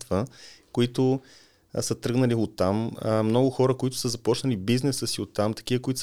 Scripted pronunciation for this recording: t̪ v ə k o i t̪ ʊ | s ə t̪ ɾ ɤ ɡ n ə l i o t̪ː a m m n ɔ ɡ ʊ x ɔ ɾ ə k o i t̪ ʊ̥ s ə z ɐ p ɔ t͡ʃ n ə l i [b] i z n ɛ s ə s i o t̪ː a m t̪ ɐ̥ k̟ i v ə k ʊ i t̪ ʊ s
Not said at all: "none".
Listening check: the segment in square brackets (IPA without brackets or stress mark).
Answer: b